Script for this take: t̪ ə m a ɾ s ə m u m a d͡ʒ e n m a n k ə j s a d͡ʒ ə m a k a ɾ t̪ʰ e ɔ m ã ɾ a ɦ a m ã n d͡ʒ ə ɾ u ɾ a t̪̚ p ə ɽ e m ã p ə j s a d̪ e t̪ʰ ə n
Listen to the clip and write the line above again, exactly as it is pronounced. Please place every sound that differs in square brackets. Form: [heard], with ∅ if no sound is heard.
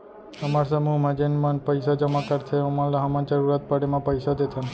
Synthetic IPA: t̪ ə m a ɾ s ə m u m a d͡ʒ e n m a n [p] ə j s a d͡ʒ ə m a k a ɾ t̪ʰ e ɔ m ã [l] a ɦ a m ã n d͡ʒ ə ɾ u ɾ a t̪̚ p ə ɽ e m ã p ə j s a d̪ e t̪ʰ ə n